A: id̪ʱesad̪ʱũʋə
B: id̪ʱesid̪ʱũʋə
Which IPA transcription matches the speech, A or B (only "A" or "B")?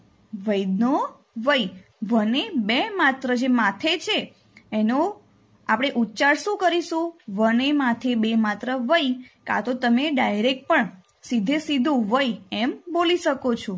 B